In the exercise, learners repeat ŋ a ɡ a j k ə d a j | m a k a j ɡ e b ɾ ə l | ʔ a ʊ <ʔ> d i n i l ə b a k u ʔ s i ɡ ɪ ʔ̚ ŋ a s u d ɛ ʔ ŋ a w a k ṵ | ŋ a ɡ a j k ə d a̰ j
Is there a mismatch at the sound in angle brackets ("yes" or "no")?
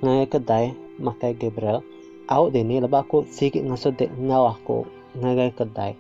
no